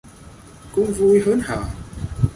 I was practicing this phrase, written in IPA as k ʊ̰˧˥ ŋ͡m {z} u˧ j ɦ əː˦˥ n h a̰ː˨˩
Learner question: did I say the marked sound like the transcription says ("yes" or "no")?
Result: no